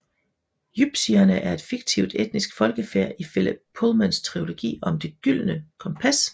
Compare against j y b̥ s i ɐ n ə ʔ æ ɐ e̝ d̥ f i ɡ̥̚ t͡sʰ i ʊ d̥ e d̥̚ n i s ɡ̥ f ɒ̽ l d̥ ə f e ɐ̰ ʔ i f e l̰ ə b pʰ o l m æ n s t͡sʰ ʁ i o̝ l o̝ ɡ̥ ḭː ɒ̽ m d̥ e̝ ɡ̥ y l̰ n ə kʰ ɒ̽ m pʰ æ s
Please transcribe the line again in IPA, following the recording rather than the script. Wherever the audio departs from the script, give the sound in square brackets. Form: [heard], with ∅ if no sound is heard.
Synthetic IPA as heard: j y b̥ s i ɐ n ə ʔ æ ɐ e̝ d̥ f i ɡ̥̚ t͡sʰ i ʊ d̥ e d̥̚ n i s ɡ̥ f ɒ̽ l [ɡ̥] ə f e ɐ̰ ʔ i f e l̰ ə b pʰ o l m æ n s t͡sʰ ʁ i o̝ l o̝ ɡ̥ ḭː ɒ̽ m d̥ e̝ ɡ̥ y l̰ n ə kʰ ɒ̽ m pʰ æ s

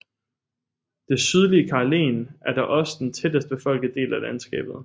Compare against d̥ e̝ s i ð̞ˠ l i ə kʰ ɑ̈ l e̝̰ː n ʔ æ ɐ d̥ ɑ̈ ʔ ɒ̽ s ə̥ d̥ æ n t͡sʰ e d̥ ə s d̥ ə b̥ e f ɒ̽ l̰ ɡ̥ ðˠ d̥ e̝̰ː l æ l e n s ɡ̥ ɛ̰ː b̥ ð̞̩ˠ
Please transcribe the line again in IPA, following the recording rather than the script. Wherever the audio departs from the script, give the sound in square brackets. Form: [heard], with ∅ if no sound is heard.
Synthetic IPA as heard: d̥ e̝ s [y] ð̞ˠ l i ə kʰ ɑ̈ l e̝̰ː n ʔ æ ɐ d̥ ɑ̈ ʔ ɒ̽ s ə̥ d̥ [e] n t͡sʰ e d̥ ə s d̥ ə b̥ e f ɒ̽ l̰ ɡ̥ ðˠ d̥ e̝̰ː l æ l [æ] n s ɡ̥ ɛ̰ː b̥ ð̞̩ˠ

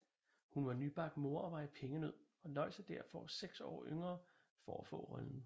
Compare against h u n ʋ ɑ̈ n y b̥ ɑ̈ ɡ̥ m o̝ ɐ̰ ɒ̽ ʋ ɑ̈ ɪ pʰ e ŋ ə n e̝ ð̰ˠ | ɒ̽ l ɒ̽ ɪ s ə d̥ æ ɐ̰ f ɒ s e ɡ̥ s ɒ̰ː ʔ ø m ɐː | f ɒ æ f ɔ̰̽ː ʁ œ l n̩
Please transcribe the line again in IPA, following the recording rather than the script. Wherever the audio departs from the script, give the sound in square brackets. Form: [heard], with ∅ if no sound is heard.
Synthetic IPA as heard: h u n ʋ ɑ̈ n y b̥ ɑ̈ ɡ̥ m o̝ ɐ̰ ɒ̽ ʋ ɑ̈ ɪ pʰ e ŋ ə n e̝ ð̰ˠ | ɒ̽ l ɒ̽ ɪ s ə d̥ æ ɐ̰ f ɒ s e ɡ̥ s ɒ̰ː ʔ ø [ŋ] ɐː | f ɒ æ f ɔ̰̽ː ʁ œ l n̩

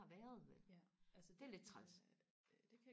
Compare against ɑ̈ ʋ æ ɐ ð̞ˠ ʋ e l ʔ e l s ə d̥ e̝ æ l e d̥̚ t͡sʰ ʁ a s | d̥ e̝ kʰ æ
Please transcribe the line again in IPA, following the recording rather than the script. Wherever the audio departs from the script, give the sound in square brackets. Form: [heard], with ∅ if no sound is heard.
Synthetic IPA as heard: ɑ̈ ʋ æ ɐ ð̞ˠ ʋ e l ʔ [æ] l s ə d̥ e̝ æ l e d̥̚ t͡sʰ ʁ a s | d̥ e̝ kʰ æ

